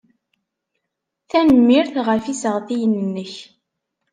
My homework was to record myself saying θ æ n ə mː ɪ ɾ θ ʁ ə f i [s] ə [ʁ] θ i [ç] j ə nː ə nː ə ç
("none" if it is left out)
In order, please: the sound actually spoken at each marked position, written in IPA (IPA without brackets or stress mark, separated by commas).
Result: s, ʁ, none